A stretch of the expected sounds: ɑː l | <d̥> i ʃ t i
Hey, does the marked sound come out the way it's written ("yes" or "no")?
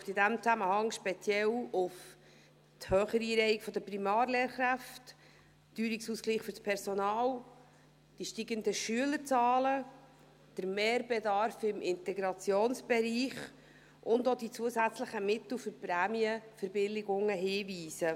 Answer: yes